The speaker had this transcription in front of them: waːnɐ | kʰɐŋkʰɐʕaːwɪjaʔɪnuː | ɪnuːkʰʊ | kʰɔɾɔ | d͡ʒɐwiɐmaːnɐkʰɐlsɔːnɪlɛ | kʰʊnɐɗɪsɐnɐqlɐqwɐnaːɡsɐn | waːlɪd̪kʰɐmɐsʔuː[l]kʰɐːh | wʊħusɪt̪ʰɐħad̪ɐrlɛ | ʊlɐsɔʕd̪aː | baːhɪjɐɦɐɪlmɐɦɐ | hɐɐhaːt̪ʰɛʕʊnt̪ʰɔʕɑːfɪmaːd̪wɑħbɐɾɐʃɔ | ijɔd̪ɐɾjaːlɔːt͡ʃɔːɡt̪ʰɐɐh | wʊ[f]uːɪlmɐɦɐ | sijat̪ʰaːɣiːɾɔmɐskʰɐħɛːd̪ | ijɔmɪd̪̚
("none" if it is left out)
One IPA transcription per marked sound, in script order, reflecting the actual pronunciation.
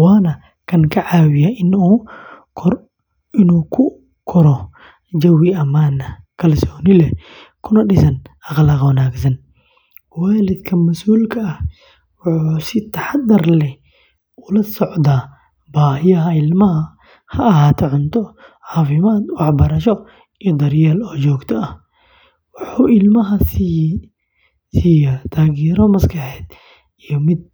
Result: l, ħ

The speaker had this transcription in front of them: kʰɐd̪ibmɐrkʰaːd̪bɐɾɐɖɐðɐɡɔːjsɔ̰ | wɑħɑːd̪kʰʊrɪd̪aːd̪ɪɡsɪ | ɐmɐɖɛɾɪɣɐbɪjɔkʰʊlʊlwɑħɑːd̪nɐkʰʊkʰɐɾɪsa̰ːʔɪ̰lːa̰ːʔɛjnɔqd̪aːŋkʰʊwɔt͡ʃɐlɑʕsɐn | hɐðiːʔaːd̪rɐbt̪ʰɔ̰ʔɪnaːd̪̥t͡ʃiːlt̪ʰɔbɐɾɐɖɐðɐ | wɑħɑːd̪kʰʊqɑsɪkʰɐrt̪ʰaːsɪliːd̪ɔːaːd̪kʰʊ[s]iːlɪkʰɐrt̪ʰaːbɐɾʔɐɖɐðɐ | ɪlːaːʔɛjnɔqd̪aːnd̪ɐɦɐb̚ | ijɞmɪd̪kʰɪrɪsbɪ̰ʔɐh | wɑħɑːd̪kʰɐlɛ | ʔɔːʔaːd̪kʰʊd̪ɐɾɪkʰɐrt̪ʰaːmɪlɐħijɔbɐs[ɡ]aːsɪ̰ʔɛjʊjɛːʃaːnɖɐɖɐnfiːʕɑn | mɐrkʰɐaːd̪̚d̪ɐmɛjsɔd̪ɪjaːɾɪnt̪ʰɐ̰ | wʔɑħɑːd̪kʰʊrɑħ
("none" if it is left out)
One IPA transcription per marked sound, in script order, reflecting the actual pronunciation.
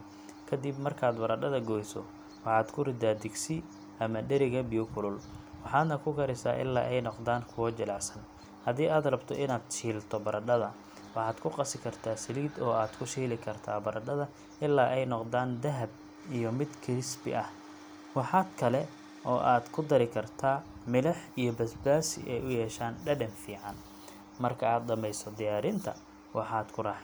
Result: ʃ, b

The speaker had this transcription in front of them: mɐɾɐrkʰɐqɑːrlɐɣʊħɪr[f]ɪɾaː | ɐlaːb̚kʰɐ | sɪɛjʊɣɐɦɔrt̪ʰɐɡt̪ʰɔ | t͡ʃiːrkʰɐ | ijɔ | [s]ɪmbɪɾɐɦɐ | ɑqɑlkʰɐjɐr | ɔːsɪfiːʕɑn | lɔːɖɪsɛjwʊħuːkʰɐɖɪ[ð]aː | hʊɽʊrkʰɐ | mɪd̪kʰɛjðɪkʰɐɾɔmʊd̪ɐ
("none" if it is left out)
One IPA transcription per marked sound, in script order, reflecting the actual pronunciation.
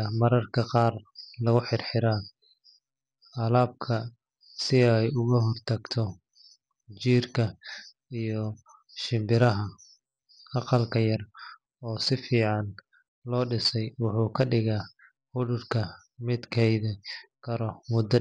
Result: ħ, ʃ, ɣ

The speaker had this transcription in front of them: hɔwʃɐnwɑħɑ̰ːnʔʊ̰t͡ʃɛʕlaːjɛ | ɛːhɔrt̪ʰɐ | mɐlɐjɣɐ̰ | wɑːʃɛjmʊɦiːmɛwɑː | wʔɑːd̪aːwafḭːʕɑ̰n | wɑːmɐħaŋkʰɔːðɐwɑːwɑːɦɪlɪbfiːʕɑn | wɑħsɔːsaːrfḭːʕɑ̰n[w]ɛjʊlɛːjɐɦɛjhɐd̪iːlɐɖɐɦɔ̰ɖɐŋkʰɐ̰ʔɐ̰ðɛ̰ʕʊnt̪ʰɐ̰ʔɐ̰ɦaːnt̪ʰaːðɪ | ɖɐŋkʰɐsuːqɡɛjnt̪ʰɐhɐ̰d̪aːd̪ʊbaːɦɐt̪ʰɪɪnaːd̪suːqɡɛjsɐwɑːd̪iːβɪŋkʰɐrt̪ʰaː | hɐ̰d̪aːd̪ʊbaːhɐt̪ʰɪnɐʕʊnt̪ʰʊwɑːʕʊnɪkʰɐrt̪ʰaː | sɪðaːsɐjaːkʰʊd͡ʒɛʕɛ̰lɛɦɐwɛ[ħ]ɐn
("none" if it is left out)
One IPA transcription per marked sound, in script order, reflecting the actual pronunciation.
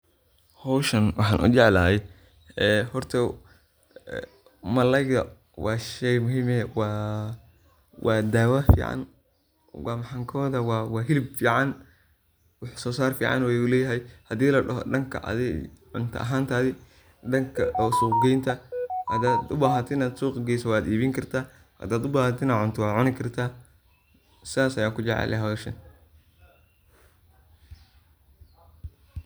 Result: w, ʃ

